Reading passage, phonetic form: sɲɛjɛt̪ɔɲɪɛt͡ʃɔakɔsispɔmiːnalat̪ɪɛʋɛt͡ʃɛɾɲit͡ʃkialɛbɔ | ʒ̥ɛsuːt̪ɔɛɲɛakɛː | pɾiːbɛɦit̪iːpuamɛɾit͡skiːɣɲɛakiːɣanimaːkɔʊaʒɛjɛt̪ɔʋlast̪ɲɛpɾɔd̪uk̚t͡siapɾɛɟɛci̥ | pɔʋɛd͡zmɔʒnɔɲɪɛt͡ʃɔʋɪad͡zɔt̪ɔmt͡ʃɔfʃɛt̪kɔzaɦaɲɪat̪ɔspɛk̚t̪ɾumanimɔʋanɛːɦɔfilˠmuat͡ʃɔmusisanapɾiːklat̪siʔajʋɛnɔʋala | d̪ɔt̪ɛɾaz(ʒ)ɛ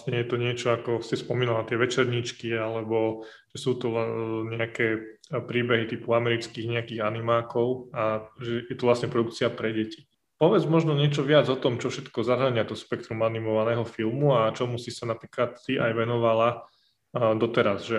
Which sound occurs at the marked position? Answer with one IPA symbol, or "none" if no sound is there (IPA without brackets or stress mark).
ʒ